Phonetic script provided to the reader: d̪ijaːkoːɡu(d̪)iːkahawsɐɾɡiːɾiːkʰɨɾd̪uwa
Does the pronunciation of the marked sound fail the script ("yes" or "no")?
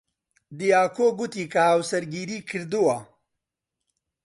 yes